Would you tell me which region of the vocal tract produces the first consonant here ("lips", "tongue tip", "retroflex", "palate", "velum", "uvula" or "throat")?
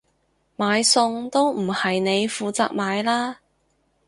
lips